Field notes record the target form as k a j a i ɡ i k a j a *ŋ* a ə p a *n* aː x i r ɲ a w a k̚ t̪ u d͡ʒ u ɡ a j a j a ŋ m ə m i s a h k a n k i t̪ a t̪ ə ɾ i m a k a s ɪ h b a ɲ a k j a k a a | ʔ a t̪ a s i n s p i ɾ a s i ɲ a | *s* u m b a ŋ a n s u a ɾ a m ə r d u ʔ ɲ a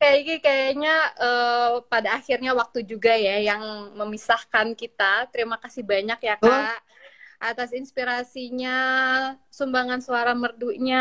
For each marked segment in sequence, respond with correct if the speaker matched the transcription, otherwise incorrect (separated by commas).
incorrect, incorrect, correct